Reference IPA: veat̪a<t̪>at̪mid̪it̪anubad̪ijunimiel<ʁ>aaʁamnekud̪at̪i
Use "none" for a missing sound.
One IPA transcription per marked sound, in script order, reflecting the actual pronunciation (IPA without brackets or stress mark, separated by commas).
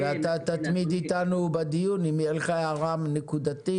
t̪, χ